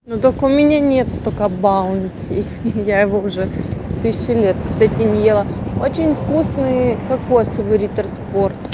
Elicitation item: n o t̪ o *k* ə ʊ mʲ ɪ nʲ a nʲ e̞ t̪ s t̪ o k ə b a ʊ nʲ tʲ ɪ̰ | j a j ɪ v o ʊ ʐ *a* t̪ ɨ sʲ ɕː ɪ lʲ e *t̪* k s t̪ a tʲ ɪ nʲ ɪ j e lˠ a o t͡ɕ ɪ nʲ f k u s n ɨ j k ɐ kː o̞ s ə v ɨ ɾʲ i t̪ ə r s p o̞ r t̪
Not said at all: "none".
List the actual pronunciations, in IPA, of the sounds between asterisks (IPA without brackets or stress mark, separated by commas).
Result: k, ɛ, t̪